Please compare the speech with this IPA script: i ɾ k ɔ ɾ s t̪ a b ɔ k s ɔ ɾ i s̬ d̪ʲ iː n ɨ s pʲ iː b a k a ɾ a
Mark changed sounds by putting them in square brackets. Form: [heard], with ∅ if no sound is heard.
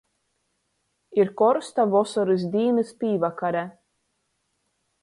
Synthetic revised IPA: i ɾ k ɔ ɾ s t̪ a [v] ɔ [∅] s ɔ ɾ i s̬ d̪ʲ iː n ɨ s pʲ iː [v] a k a ɾ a